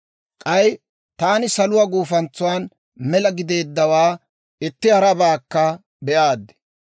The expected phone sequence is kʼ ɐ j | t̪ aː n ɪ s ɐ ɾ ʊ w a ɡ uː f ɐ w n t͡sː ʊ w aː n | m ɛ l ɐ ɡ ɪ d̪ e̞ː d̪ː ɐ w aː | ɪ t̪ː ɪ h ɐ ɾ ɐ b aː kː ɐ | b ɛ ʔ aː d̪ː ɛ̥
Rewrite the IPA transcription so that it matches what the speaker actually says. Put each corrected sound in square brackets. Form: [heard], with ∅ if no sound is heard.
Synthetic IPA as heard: kʼ ɐ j | t̪ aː n ɪ s ɐ [l] ʊ w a ɡ uː f ɐ [∅] n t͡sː ʊ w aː n | m ɛ l ɐ ɡ ɪ d̪ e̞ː d̪ː ɐ w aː | ɪ t̪ː ɪ h ɐ ɾ ɐ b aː kː ɐ | b ɛ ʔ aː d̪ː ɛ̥